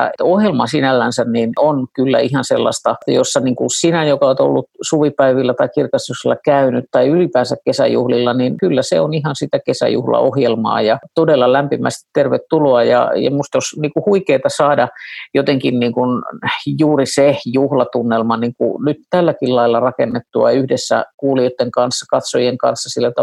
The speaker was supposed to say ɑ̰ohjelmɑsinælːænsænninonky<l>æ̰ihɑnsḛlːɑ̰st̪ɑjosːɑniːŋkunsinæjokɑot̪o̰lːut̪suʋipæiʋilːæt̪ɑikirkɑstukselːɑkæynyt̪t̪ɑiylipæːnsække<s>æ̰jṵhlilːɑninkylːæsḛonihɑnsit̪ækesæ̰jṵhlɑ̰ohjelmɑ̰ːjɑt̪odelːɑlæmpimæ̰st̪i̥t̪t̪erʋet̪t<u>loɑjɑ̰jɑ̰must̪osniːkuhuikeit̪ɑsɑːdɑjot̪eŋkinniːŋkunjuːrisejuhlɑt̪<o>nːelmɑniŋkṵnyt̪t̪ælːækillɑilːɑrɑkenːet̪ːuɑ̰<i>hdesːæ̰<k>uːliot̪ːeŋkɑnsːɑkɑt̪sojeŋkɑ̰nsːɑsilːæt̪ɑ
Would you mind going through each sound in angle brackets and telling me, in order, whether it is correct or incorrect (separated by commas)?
incorrect, correct, correct, incorrect, incorrect, correct